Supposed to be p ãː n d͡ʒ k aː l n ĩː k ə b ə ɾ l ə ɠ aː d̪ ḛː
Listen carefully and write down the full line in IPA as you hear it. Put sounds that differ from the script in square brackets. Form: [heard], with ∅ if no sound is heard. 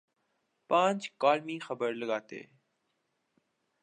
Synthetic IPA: p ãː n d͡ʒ k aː l [m] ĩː [x] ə b ə ɾ l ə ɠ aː [t̪] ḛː

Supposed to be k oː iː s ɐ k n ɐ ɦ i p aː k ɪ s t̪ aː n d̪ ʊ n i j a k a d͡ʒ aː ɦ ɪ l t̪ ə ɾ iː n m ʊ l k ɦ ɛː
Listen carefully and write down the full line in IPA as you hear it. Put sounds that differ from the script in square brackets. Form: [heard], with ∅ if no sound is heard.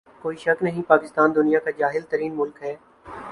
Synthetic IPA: k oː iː [ʃ] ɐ k n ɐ ɦ [ĩ] p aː k ɪ s t̪ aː n d̪ ʊ n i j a k a d͡ʒ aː ɦ ɪ l t̪ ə ɾ iː n m ʊ l k ɦ ɛː

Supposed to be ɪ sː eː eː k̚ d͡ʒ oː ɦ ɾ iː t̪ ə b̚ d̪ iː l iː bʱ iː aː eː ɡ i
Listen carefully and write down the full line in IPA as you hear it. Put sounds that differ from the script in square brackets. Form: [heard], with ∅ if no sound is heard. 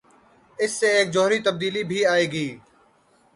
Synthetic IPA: ɪ sː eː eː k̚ d͡ʒ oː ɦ ɾ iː t̪ ə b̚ d̪ iː l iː bʱ iː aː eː ɡ [iː]

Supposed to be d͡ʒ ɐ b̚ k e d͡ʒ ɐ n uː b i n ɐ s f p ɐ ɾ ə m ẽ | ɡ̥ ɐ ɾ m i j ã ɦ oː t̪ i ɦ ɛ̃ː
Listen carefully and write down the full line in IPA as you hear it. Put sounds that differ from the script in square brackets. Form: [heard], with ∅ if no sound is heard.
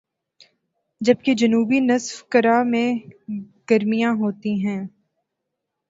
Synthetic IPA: d͡ʒ ɐ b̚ k e d͡ʒ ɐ n uː b i n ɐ s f [k] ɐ ɾ [a] m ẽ | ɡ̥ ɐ ɾ m i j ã ɦ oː t̪ i ɦ ɛ̃ː

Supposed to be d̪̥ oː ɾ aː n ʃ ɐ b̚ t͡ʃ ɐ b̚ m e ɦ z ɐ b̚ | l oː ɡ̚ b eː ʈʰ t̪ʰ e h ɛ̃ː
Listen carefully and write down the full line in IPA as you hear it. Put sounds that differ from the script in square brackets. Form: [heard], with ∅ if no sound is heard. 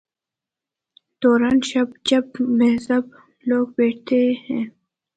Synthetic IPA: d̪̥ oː ɾ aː n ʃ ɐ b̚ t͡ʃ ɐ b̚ m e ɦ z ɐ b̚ | l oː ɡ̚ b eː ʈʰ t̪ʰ e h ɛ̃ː

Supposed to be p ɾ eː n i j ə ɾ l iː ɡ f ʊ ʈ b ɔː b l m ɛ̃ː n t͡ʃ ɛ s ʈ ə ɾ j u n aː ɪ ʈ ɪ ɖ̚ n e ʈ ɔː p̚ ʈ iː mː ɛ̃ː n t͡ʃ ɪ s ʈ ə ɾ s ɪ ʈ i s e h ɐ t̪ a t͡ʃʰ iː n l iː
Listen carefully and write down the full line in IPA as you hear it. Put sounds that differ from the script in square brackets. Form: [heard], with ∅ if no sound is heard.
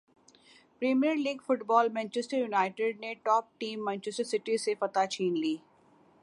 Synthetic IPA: p ɾ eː [m] i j ə ɾ l iː ɡ f ʊ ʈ b ɔː [∅] l m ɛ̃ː n t͡ʃ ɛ s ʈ ə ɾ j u n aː ɪ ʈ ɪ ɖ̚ n e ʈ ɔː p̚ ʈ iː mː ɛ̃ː n t͡ʃ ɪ s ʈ ə ɾ s ɪ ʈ i s e [f] ɐ t̪ a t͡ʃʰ iː n l iː

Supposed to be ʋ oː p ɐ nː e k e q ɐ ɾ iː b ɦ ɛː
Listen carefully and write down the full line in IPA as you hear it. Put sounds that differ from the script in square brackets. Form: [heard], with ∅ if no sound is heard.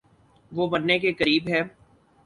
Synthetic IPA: ʋ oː [b] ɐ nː e k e [k] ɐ ɾ iː b ɦ ɛː

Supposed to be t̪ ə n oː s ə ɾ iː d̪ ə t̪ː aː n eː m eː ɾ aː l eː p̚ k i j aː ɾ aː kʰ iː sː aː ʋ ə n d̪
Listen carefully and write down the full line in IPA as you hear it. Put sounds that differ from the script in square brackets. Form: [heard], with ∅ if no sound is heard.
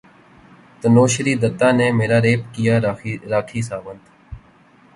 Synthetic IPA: t̪ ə n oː [ʃ] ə ɾ iː d̪ ə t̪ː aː n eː m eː ɾ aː [ɾ] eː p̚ k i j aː ɾ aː kʰ iː [s] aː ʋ ə n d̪

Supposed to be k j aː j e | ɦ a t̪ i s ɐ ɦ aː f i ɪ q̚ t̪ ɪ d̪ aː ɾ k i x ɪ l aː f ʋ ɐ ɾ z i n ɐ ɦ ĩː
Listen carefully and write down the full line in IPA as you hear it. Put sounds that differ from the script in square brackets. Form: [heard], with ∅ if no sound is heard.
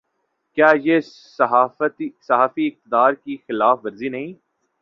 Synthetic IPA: k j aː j e | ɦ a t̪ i s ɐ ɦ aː f i ɪ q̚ t̪ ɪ d̪ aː ɾ k i x ɪ l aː f ʋ ɐ ɾ z i n ɐ ɦ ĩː

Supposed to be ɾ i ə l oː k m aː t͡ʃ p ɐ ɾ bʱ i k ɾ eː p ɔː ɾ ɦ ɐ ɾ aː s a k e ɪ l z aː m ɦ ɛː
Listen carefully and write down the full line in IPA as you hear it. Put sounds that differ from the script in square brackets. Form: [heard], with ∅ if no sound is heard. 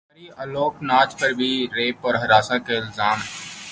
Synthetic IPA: ɾ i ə l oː k [n] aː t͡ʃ p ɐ ɾ bʱ i [∅] ɾ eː p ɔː ɾ ɦ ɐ ɾ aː s a k e ɪ l z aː m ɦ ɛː

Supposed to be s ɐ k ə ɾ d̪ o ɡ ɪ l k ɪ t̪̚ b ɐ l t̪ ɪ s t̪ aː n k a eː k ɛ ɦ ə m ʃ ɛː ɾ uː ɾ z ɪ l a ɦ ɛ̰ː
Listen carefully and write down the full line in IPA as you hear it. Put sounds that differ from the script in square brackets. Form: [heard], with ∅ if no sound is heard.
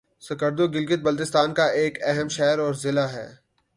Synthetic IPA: s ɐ k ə ɾ d̪ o ɡ ɪ l [ɡ] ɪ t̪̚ b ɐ l t̪ ɪ s t̪ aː n k a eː k ɛ ɦ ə m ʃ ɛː ɾ [ɔː] ɾ z ɪ l a ɦ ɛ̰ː

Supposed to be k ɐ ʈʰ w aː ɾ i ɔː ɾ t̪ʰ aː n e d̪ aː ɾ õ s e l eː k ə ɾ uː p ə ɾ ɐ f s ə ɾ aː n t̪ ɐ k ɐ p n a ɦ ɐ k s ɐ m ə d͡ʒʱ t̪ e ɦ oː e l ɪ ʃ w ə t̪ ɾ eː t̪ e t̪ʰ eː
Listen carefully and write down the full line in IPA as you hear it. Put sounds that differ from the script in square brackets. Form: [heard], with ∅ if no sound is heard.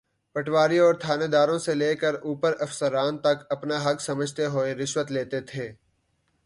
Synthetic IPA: [p] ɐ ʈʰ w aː ɾ i ɔː ɾ t̪ʰ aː n e d̪ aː ɾ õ s e l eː k ə ɾ uː p ə ɾ ɐ f s ə ɾ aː n t̪ ɐ k ɐ p n a ɦ ɐ k s ɐ m ə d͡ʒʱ t̪ e ɦ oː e [ɾ] ɪ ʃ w ə t̪ [l] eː t̪ e t̪ʰ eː

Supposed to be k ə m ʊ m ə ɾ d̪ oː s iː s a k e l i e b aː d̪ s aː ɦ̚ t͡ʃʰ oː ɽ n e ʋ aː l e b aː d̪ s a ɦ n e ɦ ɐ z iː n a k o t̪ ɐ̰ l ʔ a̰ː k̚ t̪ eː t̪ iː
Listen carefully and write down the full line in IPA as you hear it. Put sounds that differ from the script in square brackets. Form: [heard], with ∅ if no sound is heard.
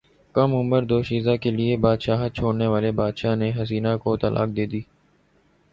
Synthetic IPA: k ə m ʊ m ə ɾ d̪ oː [ʃ] iː [z] a k e l i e b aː d̪ [ʃ] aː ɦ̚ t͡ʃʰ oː ɽ n e ʋ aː l e b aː d̪ [ʃ] a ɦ n e ɦ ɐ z iː n a k o t̪ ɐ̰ l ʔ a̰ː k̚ [d̪] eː [d̪] iː

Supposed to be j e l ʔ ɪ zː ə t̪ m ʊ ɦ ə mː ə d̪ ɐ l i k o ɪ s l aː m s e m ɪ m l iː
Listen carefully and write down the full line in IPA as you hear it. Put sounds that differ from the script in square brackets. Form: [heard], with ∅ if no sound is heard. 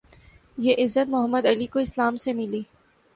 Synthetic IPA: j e [∅] ʔ ɪ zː ə t̪ m ʊ ɦ ə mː ə d̪ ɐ l i k o ɪ s l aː m s e m ɪ [∅] l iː

